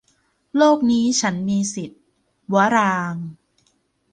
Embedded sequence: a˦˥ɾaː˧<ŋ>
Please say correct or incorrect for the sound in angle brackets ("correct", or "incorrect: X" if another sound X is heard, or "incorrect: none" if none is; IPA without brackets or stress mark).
correct